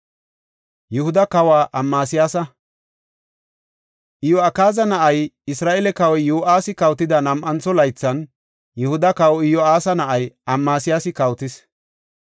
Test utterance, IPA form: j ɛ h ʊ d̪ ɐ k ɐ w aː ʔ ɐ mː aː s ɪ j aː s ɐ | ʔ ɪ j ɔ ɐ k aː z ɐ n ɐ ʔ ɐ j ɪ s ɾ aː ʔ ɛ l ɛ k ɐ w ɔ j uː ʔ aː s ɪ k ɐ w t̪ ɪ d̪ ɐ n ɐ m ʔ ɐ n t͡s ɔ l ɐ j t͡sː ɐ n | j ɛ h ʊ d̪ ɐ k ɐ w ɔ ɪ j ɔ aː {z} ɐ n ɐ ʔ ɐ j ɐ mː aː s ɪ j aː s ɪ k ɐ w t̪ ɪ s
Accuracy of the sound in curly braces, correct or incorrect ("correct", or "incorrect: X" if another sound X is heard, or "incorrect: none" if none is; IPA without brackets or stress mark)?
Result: incorrect: s